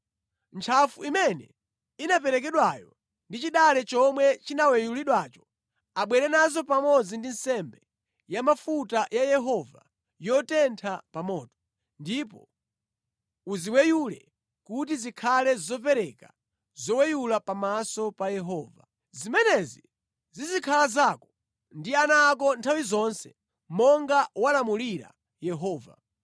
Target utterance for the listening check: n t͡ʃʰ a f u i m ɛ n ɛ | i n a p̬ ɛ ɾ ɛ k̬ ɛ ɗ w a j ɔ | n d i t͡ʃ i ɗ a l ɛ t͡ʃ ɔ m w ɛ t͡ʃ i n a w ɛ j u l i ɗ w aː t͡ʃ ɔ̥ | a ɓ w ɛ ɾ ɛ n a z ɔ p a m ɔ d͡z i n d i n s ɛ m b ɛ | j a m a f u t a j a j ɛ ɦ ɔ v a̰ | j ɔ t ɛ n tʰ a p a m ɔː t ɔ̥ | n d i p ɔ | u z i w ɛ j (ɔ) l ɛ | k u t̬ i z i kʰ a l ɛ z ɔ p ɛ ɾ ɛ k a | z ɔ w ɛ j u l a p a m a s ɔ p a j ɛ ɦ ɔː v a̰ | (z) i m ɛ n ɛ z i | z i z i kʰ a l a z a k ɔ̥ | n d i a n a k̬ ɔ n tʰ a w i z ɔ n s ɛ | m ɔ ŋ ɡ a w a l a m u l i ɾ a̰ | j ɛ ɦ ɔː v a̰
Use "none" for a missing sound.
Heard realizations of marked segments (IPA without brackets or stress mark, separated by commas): u, z